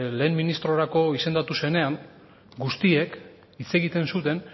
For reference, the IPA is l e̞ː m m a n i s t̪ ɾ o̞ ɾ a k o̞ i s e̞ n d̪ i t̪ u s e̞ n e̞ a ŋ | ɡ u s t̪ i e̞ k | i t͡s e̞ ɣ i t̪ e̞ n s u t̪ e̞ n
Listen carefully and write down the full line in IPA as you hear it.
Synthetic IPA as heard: l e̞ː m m i n i s t̪ ɾ o̞ ɾ a k o̞ i s e̞ n d̪ a t̪ u s e̞ n e̞ a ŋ | ɡ u s t̪ i e̞ k | i t͡s e̞ ɣ i t̪ e̞ n s u t̪ e̞ n